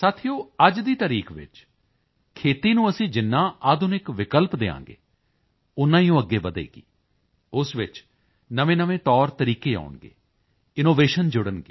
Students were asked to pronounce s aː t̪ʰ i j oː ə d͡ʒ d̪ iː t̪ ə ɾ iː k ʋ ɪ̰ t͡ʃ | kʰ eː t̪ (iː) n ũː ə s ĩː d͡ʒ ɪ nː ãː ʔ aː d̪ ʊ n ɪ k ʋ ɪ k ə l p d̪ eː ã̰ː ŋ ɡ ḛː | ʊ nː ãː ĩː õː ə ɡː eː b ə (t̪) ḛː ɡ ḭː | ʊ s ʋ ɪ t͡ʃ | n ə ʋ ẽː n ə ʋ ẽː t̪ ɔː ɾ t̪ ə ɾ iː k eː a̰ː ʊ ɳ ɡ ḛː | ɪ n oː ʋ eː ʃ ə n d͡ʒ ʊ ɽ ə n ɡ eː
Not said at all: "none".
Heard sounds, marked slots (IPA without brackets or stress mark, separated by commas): iː, d̪